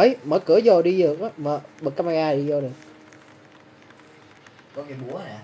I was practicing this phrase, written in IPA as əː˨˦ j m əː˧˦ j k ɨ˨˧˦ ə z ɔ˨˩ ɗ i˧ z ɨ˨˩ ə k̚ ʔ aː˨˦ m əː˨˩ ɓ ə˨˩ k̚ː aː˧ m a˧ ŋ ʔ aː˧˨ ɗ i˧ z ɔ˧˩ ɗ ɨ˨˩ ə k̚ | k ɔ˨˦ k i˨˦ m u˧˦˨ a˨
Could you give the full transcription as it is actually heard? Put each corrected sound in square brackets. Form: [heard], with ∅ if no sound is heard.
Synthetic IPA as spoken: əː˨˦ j m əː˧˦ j k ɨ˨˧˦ ə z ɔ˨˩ ɗ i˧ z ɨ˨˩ ə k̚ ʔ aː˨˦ m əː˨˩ ɓ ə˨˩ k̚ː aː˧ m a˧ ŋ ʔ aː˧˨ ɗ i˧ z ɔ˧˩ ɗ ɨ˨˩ ə k̚ | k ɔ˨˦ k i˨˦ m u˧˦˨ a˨